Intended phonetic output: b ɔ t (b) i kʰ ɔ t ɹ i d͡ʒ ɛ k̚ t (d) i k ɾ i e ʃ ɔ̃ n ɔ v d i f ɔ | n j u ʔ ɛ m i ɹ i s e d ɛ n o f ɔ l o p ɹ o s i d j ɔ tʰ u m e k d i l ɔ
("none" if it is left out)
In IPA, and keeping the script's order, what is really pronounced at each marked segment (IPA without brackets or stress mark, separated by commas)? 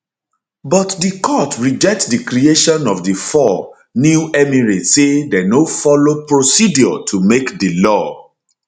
d, d